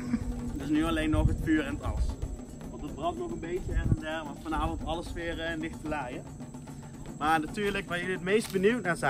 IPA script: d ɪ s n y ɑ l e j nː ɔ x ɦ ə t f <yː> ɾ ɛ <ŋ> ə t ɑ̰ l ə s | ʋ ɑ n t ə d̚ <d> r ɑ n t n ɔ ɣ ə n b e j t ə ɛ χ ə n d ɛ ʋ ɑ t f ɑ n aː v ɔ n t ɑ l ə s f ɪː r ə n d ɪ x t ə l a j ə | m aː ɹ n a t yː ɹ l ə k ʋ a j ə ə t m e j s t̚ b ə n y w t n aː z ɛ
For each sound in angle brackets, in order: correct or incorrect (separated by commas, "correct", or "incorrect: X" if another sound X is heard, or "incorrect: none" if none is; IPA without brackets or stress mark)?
correct, incorrect: n, incorrect: b